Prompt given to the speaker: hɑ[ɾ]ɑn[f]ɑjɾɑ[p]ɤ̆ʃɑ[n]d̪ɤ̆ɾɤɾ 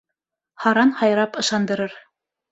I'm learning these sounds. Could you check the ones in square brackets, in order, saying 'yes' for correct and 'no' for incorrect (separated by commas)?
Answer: yes, no, yes, yes